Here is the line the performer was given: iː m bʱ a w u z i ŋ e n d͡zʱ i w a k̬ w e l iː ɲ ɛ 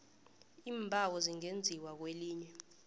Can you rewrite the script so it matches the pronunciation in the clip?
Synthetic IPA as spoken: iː m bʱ a w ɔ z i ŋ e n d͡zʱ i w a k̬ w e l iː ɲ ɛ